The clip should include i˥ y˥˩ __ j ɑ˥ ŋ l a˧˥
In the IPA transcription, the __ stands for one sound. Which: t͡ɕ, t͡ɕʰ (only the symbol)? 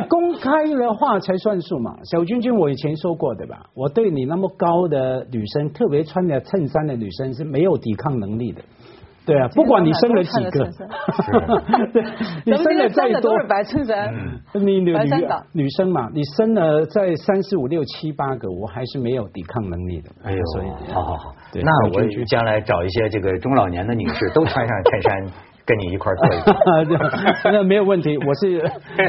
t͡ɕ